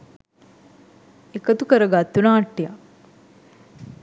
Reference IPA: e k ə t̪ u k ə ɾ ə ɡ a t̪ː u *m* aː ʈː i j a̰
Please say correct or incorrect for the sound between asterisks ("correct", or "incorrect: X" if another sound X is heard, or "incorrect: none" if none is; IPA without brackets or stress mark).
incorrect: n